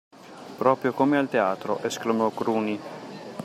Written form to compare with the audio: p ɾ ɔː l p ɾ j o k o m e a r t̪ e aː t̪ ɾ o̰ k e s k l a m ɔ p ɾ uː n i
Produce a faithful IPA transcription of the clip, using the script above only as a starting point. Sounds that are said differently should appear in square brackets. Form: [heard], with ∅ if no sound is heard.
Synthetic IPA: p ɾ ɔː [∅] p ɾ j o k o m e a [l] t̪ e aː t̪ ɾ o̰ [ʔ] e s k l a m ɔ [k] ɾ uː n i